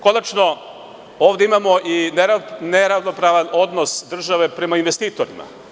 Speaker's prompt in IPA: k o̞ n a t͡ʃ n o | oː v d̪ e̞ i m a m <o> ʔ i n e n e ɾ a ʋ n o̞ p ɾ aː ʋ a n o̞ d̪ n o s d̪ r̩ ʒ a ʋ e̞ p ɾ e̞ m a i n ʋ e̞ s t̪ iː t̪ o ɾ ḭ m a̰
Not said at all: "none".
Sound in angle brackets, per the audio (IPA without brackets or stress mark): o